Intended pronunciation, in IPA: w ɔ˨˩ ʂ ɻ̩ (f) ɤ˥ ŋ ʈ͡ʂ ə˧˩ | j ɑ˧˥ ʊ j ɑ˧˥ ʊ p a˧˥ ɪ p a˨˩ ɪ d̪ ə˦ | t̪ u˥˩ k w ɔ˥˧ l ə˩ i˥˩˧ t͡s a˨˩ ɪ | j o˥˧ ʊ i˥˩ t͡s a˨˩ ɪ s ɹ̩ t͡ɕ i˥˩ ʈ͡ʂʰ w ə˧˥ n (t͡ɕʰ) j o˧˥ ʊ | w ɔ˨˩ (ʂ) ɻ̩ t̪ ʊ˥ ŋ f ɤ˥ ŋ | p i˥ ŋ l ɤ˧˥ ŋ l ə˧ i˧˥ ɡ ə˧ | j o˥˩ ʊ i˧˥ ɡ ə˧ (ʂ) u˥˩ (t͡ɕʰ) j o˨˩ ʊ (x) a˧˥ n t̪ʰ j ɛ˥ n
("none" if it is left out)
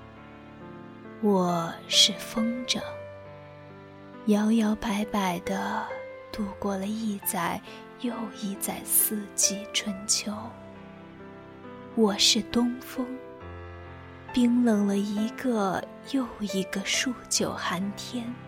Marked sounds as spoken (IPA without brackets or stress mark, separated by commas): f, t͡ɕʰ, ʂ, ʂ, t͡ɕ, x